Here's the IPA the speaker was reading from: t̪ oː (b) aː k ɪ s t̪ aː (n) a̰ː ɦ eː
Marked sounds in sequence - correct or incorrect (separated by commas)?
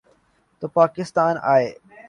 incorrect, correct